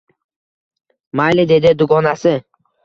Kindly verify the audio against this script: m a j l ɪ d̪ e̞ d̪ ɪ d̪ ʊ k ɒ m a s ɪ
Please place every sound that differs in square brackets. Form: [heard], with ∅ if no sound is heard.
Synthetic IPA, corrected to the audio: m a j l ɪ d̪ e̞ d̪ ɪ d̪ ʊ [ɡ] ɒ [n] a s ɪ